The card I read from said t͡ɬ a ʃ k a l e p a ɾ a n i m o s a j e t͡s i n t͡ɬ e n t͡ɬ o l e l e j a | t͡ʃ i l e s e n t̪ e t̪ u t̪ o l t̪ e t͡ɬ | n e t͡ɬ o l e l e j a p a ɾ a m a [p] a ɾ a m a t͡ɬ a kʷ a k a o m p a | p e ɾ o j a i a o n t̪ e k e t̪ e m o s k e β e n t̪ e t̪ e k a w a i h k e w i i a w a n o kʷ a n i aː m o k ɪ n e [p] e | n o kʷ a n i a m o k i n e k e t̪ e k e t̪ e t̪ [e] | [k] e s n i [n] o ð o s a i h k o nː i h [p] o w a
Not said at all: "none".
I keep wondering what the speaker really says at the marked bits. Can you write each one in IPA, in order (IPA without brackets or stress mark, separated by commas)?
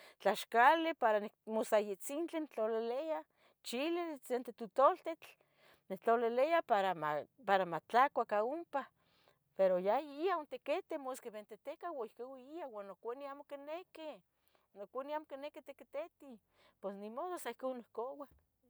p, k, i, p, m, k